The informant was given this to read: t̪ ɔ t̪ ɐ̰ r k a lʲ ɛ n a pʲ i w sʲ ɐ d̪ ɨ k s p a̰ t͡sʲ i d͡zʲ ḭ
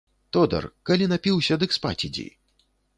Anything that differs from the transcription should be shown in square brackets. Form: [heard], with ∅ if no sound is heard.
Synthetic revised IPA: t̪ ɔ [d̪] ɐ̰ r k a lʲ [i] n a pʲ i w sʲ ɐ d̪ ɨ k s p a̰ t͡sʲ i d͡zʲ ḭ